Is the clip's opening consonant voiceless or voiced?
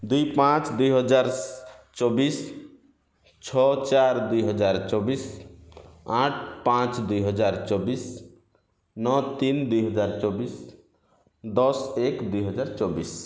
voiced